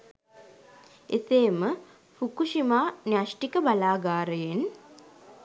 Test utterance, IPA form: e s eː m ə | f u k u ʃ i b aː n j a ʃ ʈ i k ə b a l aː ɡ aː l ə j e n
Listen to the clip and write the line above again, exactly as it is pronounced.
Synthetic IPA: e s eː m ə | f u k u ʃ i m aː n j a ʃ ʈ i k ə b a l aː ɡ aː ɾ ə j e n

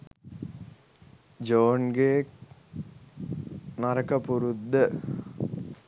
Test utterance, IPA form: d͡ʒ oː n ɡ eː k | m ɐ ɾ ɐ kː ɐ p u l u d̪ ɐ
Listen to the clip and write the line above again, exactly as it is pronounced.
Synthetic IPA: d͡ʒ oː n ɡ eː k | n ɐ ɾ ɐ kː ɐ p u ɾ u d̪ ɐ

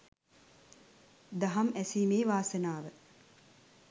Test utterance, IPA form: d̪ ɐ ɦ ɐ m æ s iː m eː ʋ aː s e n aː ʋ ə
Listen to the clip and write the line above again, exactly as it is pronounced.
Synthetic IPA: d̪ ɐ ɦ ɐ m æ s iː m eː ʋ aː s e n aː ʋ ə

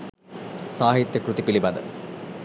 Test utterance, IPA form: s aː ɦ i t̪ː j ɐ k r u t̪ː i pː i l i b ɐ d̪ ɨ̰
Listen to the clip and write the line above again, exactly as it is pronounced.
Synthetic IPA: s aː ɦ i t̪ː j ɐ k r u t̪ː i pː i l i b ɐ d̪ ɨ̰

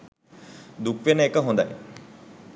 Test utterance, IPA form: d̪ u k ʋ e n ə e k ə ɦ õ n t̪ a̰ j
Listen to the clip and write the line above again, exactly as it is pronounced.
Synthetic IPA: d̪ u k ʋ e n ə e k ə ɦ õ n d̪ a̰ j

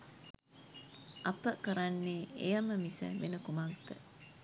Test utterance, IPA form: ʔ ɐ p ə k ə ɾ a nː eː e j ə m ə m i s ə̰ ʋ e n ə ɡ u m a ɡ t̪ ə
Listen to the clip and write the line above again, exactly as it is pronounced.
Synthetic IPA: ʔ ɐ p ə k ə ɾ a nː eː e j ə m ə m i s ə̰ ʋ e n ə k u m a ɡ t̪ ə

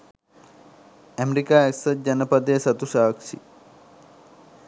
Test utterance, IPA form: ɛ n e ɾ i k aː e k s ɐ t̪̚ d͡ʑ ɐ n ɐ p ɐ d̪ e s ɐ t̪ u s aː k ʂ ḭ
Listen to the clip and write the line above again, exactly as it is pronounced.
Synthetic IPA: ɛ m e ɾ i k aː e k s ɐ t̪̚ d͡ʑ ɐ n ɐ p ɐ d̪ e s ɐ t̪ u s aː k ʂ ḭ

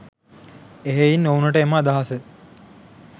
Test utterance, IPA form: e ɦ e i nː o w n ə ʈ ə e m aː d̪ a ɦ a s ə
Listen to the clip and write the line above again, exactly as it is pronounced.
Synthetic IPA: e ɦ e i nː o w n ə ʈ ə e m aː d̪ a ɦ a s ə

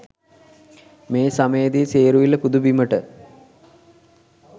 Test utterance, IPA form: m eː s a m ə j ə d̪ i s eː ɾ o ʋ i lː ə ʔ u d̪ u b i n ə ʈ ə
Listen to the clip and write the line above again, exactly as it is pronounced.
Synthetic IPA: m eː s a m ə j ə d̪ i s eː ɾ u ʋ i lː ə p u d̪ u b i m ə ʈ ə

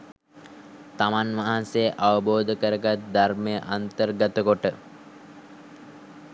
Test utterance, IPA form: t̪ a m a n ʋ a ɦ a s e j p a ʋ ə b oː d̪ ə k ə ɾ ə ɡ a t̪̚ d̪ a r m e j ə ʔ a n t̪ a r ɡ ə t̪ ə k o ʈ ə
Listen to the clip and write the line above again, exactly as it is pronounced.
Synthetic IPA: t̪ a m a n ʋ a ɦ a s e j ʔ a ʋ ə b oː d̪ ə k ə ɾ ə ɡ a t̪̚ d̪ a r m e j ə ʔ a n t̪ ə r ɡ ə t̪ ə k o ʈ ə

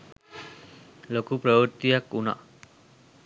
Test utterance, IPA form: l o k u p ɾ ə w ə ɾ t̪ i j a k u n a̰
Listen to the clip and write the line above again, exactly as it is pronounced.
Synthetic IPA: l o k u p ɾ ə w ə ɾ t̪ i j a k u n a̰

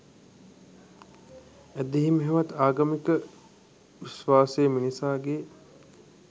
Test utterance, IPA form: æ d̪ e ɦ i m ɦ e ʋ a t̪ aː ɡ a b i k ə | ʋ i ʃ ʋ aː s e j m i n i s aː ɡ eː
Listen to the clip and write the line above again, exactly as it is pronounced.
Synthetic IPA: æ d̪ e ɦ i m ɦ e ʋ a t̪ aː ɡ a m i k ə | ʋ i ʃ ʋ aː s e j m i n i s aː ɡ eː

